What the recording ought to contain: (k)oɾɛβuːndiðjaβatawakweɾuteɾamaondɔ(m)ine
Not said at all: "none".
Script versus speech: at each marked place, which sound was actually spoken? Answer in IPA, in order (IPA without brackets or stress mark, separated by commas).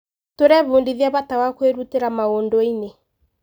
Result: t, none